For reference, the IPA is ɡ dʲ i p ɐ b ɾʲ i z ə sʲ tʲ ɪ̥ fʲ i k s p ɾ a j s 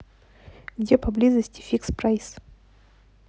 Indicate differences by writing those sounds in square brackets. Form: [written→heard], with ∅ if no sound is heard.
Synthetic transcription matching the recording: ɡ dʲ [i→e] p ɐ b [ɾʲ→lʲ] i z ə sʲ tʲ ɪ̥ fʲ i k s p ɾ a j s